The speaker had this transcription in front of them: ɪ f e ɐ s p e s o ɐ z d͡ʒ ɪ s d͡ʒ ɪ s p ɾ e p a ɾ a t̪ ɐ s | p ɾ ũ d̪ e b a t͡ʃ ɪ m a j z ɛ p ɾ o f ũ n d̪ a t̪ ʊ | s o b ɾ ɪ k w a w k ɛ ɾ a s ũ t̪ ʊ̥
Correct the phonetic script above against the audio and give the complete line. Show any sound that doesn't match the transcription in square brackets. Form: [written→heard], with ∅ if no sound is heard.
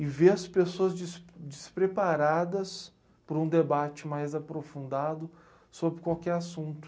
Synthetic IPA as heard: ɪ [f→v] e ɐ s p e s o ɐ z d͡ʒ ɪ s d͡ʒ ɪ s p ɾ e p a ɾ a [t̪→d̪] ɐ s | p ɾ ũ d̪ e b a t͡ʃ ɪ m a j z [ɛ→a] p ɾ o f ũ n d̪ a [t̪→d̪] ʊ | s o b ɾ ɪ k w a w k ɛ ɾ a s ũ t̪ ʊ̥